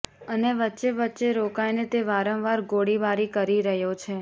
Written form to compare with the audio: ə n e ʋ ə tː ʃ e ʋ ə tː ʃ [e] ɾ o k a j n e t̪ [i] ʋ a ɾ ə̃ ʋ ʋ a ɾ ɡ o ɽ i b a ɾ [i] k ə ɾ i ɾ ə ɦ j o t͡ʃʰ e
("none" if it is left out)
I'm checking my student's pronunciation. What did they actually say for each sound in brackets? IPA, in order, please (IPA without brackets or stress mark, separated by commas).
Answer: e, e, i